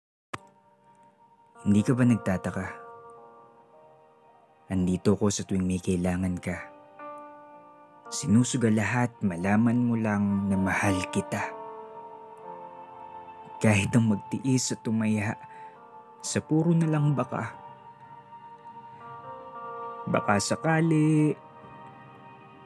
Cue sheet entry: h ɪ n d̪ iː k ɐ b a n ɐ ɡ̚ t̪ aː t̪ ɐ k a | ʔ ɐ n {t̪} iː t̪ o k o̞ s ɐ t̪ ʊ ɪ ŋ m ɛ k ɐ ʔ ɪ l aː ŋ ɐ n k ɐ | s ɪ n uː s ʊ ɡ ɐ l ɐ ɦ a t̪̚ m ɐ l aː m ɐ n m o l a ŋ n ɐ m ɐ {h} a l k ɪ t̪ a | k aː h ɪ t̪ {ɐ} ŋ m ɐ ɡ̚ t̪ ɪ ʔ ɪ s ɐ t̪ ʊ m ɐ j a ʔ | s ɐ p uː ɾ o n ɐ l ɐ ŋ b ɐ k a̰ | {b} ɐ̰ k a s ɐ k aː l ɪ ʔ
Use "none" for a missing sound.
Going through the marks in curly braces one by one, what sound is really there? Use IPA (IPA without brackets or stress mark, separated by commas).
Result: d̪, h, ɐ, b